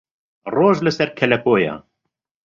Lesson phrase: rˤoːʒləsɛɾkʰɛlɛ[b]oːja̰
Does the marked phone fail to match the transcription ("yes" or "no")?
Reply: yes